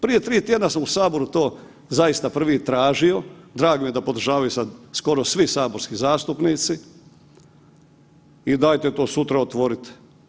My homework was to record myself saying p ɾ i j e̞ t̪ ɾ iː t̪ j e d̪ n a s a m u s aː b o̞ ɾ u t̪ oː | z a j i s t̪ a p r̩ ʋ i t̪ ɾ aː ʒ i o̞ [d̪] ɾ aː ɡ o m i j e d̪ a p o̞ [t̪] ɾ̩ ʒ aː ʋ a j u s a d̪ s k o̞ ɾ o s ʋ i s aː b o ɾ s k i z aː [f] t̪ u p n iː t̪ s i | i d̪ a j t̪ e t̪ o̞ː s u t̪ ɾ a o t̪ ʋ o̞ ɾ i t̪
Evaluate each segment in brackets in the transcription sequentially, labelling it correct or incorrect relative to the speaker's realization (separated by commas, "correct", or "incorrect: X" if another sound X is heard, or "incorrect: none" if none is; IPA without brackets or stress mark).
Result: correct, incorrect: d̪, incorrect: s